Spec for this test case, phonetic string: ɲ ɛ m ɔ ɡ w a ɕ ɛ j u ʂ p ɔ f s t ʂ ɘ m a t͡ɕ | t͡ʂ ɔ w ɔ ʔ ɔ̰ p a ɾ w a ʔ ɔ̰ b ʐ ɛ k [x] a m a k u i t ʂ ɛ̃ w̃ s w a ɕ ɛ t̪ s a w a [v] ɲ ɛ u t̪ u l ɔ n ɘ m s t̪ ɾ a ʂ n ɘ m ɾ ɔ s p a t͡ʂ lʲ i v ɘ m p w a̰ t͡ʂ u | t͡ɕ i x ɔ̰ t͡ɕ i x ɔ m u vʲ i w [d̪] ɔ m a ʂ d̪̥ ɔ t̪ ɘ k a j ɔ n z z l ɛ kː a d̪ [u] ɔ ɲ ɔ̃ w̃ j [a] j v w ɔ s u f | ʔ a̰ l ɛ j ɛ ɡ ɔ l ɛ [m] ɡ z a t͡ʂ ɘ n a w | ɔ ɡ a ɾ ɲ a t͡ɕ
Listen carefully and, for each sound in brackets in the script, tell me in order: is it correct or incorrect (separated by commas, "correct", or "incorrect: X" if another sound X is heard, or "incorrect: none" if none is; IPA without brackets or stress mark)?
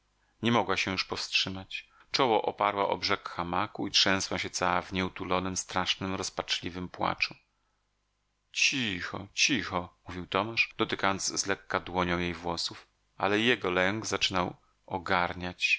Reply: correct, correct, incorrect: t̪, incorrect: w, incorrect: e, incorrect: ŋ